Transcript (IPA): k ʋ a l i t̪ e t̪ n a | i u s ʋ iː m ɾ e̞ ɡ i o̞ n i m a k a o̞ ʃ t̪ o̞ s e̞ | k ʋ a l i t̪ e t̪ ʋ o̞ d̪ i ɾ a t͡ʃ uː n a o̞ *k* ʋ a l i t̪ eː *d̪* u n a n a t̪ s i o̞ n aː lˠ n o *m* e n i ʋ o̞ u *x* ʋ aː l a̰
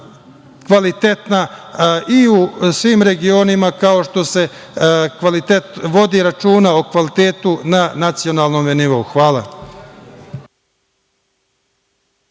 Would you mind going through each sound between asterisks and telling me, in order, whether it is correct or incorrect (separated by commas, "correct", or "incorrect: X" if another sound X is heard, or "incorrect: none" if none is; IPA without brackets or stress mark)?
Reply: correct, incorrect: t̪, correct, correct